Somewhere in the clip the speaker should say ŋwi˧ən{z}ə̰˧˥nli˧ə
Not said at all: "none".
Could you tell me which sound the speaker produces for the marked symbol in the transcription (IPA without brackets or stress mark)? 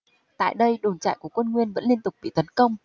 v